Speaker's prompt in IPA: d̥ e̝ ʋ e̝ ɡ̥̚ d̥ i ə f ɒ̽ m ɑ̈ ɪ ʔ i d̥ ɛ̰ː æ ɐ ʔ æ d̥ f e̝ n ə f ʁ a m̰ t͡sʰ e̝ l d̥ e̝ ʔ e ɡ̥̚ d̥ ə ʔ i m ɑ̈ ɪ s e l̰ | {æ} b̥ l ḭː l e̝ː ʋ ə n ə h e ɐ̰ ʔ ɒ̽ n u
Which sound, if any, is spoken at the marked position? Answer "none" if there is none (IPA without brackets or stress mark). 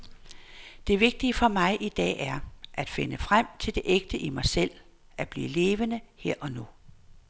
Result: æ